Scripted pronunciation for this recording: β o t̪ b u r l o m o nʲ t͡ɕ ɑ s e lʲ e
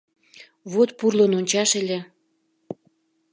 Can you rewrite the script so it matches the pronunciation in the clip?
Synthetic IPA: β o t̪ p u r l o n o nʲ t͡ɕ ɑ ʃ e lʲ e